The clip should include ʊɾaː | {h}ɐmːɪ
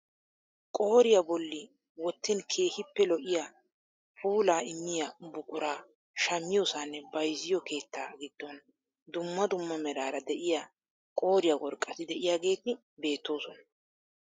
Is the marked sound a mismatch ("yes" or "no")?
yes